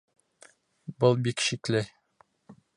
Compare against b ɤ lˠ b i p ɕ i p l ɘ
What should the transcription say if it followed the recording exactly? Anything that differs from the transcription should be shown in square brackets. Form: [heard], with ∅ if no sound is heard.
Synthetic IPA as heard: b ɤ lˠ b i [k] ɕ i [k] l ɘ